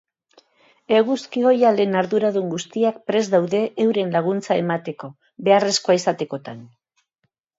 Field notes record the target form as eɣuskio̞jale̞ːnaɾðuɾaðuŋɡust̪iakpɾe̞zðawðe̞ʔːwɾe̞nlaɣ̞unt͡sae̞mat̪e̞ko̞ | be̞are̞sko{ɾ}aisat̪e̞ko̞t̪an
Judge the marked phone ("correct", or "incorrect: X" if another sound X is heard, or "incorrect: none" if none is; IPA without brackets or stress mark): incorrect: none